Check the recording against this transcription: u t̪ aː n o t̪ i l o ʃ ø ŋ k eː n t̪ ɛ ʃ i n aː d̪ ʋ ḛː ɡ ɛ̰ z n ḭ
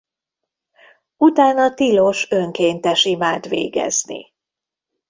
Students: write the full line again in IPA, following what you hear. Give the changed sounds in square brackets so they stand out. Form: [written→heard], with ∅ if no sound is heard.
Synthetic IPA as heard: u t̪ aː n [o→ɒ] t̪ i l o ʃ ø ŋ k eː n t̪ ɛ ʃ i [n→m] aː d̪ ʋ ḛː ɡ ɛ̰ z n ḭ